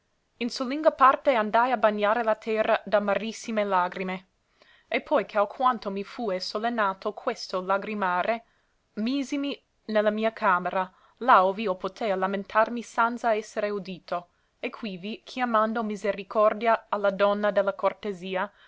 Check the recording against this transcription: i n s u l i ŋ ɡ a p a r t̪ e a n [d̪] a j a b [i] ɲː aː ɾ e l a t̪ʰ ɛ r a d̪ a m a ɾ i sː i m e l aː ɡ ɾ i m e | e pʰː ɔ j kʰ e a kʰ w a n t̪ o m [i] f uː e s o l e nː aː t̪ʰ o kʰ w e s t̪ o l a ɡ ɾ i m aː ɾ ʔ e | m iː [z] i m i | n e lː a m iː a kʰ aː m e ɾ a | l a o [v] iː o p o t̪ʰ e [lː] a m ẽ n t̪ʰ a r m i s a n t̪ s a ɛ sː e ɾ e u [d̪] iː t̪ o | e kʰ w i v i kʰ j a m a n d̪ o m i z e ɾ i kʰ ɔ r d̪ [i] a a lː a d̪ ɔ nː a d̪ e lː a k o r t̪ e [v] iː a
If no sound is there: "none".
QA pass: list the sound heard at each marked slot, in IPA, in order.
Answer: d̪, a, i, z, v, l, d̪, j, z

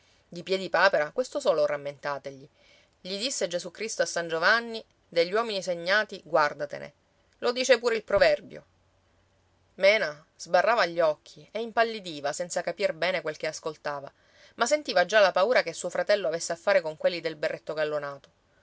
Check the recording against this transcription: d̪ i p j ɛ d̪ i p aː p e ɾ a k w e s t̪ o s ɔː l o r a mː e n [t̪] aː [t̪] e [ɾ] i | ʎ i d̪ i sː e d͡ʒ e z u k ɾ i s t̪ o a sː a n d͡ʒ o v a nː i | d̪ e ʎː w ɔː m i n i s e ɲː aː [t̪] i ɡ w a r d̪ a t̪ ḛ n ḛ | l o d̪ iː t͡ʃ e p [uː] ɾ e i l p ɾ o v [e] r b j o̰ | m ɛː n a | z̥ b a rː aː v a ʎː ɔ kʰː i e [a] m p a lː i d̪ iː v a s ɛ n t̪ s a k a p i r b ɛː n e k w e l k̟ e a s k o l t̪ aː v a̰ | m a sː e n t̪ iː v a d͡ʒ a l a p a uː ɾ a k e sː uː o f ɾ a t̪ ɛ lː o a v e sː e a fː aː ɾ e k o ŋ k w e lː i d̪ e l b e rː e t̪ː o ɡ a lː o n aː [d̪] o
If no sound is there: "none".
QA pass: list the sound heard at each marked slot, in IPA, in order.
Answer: t̪, t̪, ʎ, t̪, uː, ɛ, i, t̪

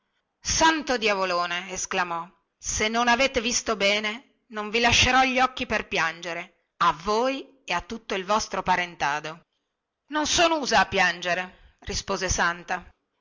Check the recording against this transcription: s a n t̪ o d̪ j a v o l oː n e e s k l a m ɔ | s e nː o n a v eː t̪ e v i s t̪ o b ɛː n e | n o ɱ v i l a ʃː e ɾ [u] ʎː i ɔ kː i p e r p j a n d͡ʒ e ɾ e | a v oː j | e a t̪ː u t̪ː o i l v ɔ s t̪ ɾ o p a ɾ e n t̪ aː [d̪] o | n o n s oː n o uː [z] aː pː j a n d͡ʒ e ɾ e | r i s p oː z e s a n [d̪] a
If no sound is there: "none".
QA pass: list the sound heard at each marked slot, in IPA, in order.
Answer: ɔ, d̪, z, t̪

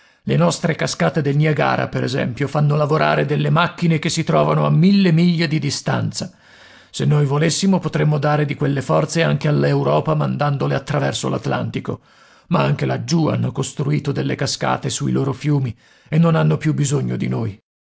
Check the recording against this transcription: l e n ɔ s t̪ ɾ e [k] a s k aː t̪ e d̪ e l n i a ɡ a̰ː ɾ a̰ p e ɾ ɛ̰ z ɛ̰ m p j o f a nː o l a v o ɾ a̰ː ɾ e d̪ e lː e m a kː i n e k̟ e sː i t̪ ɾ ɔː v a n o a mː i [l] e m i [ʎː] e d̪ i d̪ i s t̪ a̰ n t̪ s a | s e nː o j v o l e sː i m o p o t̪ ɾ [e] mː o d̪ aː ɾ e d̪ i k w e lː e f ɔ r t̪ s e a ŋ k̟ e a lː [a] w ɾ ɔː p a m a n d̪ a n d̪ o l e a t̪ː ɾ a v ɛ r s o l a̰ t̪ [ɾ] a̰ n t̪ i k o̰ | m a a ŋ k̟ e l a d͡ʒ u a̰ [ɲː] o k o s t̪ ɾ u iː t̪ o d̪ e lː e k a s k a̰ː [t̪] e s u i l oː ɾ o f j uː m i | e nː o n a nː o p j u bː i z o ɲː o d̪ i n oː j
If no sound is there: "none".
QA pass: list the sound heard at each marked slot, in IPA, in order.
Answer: k, lː, ʎː, e, e, l, nː, t̪

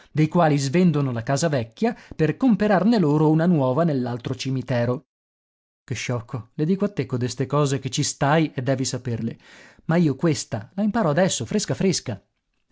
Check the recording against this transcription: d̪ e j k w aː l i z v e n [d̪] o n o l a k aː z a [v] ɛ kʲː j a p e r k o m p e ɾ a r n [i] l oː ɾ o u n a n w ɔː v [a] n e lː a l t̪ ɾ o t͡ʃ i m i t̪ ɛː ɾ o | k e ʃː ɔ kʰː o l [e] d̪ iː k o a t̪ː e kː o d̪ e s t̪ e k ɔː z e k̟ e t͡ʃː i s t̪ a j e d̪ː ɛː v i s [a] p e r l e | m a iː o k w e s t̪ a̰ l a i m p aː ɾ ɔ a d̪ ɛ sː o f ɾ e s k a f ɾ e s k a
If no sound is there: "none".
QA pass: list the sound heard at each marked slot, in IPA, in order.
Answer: d̪, v, e, a, e, a

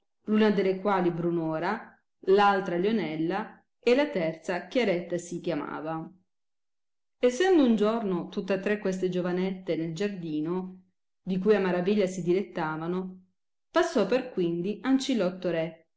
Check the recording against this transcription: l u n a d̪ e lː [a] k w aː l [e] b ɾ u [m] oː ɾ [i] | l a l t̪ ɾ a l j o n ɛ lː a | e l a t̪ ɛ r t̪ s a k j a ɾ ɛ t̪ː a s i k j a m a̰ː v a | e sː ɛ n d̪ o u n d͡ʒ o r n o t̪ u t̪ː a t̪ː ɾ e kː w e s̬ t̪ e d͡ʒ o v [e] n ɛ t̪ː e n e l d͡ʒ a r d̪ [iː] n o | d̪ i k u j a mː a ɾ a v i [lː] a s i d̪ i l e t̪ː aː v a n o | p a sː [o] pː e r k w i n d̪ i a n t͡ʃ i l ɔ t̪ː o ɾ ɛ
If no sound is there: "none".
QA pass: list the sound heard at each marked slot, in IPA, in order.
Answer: e, i, n, a, a, iː, ʎː, ɔ

